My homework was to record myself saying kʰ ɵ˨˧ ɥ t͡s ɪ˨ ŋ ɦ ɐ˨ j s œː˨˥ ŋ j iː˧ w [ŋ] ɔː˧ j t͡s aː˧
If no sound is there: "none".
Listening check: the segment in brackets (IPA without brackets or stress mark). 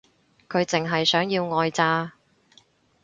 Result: ŋ